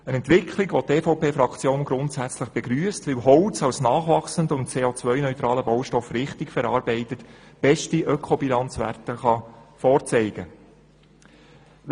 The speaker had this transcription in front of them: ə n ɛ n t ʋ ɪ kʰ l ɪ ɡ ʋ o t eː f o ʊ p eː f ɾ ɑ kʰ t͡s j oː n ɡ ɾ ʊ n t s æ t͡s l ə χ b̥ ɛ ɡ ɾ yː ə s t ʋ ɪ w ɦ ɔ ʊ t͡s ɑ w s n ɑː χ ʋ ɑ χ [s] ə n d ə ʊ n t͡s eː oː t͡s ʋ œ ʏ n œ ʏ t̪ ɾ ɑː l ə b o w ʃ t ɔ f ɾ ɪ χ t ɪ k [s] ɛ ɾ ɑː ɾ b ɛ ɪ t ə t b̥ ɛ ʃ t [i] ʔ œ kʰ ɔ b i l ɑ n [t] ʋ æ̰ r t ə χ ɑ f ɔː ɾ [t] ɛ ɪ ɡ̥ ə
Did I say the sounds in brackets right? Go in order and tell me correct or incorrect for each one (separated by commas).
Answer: correct, incorrect, correct, incorrect, incorrect